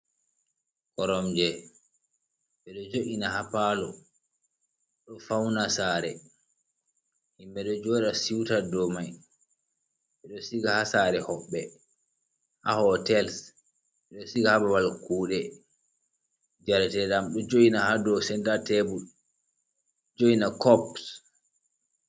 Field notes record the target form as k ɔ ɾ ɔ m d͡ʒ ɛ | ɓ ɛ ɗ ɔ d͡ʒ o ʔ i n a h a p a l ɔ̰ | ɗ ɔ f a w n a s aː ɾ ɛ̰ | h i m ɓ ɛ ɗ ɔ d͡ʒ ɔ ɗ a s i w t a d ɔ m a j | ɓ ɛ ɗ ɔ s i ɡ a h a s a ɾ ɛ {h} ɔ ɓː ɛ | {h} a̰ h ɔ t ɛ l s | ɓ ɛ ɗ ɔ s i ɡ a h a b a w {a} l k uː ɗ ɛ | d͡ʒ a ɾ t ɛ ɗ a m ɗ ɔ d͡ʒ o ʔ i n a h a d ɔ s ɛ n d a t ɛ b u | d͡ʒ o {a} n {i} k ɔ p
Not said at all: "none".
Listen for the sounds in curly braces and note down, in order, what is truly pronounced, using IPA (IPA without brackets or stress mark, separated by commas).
h, h, a, i, a